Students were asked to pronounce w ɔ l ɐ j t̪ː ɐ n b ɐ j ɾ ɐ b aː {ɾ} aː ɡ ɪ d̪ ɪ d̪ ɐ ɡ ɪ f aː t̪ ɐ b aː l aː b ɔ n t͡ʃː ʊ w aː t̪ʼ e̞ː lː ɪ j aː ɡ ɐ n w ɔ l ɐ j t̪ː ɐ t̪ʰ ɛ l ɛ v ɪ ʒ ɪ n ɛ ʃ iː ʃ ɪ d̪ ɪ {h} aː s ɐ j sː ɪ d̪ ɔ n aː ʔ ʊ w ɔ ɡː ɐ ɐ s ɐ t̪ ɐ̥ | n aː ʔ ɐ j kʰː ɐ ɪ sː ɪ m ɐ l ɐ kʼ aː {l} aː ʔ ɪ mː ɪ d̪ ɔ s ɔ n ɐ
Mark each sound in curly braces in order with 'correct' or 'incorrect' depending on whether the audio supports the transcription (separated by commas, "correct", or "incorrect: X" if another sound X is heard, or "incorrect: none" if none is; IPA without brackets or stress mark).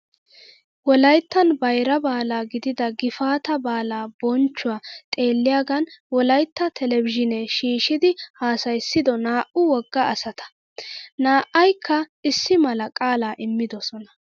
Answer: incorrect: l, correct, correct